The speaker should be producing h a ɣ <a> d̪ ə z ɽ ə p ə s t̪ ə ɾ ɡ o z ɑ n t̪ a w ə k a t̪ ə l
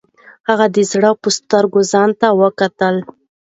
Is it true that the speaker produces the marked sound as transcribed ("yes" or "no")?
yes